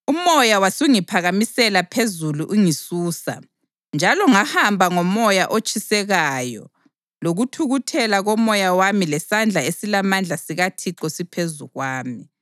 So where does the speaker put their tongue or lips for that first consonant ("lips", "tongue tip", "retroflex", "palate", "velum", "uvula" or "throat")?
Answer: lips